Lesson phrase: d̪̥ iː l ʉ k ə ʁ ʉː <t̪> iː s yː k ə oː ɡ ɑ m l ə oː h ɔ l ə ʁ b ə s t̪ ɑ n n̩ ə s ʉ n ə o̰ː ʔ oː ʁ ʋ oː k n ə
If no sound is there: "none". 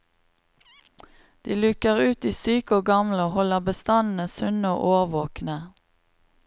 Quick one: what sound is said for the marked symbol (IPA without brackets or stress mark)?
t̪